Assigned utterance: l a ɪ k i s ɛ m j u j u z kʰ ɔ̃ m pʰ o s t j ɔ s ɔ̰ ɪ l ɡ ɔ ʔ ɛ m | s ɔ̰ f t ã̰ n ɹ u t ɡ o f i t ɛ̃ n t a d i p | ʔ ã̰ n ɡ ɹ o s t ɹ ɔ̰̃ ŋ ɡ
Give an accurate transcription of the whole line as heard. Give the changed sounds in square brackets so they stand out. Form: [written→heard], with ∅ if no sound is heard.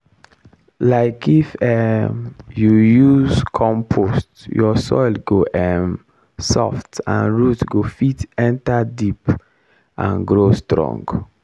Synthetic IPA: l a ɪ k i [s→f] ɛ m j u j u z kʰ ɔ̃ m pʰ o s t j ɔ s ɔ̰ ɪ l ɡ [ɔ→o] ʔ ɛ m | s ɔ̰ f t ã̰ n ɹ u t ɡ o f i t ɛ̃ n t a d i p | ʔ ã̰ n ɡ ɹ o s t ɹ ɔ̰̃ ŋ ɡ